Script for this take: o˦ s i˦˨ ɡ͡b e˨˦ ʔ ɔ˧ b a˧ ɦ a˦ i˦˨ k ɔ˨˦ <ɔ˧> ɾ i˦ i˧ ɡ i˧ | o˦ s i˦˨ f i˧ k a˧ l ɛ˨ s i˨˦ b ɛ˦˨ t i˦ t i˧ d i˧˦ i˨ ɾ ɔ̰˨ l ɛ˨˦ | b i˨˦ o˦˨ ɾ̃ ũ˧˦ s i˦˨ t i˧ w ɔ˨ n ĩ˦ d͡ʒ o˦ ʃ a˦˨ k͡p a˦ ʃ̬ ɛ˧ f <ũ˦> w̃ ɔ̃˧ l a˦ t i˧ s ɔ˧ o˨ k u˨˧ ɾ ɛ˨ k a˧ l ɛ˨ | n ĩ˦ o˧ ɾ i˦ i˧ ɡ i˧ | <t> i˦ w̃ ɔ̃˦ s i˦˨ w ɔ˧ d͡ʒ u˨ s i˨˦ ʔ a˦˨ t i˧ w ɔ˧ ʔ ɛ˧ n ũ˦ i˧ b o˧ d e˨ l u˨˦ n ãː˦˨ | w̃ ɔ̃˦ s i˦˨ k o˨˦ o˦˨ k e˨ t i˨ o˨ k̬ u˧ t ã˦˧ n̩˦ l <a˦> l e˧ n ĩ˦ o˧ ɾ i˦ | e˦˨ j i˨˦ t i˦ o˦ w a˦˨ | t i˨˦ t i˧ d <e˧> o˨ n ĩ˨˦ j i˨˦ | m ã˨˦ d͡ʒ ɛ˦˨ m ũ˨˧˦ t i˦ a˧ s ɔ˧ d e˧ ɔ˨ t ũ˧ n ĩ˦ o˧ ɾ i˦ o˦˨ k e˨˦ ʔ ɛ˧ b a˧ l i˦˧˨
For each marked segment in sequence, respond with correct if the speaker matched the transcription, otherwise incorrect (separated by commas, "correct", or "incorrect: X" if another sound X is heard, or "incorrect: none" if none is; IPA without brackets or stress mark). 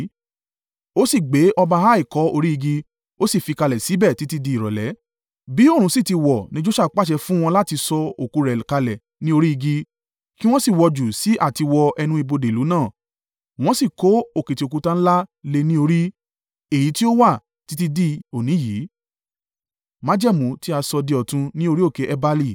incorrect: o˧, correct, incorrect: k, correct, incorrect: i˧